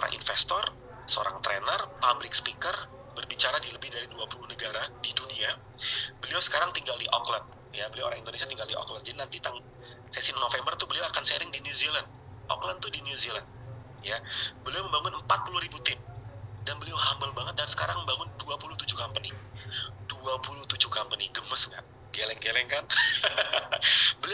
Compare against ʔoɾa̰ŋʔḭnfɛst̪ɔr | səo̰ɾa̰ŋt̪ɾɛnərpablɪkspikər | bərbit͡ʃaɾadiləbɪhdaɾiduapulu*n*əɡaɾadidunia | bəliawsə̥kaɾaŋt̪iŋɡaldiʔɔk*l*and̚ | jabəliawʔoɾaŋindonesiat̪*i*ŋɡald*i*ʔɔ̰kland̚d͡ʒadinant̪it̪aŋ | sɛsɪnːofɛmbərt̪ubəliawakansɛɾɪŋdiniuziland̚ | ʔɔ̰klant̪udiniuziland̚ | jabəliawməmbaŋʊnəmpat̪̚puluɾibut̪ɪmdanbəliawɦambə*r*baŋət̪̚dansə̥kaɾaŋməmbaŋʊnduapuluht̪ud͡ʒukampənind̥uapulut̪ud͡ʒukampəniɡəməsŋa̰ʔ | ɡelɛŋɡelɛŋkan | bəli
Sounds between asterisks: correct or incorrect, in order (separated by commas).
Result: correct, correct, correct, correct, incorrect